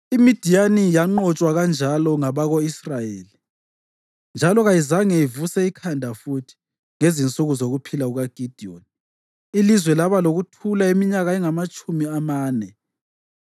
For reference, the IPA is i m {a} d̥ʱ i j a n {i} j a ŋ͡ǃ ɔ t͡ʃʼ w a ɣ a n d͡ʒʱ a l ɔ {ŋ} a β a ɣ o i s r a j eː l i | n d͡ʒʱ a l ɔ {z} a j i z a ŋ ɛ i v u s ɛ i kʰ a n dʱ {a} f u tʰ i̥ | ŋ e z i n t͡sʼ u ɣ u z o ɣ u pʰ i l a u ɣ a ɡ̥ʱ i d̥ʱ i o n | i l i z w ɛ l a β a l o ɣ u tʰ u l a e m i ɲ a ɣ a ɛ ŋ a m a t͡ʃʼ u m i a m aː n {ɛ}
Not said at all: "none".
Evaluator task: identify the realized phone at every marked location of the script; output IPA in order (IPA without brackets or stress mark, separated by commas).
i, i, ŋ, ɣ, a, ɛ